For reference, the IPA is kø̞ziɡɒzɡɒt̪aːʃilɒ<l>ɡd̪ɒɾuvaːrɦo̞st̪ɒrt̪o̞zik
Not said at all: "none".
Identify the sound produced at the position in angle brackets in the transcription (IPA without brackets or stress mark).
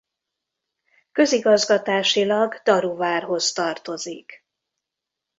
none